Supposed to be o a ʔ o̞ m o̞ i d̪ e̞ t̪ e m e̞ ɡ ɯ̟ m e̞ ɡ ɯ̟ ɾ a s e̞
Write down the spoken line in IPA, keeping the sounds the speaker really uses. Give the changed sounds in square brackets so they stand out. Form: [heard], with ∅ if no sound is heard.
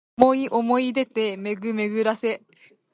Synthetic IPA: o [i] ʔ o̞ m o̞ i d̪ e̞ t̪ e m e̞ ɡ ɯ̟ m e̞ ɡ ɯ̟ ɾ a s e̞